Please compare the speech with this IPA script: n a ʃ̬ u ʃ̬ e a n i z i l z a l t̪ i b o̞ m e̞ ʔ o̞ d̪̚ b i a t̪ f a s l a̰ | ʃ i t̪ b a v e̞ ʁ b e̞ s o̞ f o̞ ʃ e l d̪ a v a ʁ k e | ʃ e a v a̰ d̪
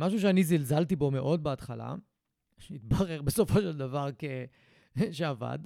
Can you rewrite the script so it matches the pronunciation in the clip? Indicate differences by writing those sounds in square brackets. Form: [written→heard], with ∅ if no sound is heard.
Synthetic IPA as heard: [n→m] a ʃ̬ u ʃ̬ e a n i z i l z a l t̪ i b o̞ m e̞ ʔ o̞ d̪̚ b [i→e] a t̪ [f→χ] a [s→∅] l a̰ | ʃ i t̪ b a [v→ʁ] e̞ ʁ b e̞ s o̞ f o̞ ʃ e l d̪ a v a ʁ k e | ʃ e a v a̰ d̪